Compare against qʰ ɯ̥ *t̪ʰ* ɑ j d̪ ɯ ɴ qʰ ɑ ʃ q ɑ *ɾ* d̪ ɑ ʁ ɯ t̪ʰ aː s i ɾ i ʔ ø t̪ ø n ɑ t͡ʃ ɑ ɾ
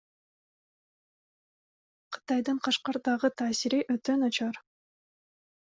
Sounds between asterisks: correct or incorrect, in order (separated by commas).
incorrect, correct